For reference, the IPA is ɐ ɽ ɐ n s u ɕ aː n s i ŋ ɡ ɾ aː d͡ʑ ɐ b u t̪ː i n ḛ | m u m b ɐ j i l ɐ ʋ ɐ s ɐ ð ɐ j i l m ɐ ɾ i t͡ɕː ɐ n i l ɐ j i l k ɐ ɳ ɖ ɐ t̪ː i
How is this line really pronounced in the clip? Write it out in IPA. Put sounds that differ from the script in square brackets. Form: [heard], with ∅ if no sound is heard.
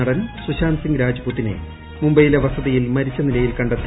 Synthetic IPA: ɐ ɽ ɐ n s u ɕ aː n s i ŋ ɡ ɾ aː d͡ʑ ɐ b u t̪ː i n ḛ | m u m b ɐ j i l ɐ ʋ ɐ s ɐ ð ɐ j i l m ɐ ɾ i t͡ɕː ɐ n i l ɐ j i l k ɐ ɳ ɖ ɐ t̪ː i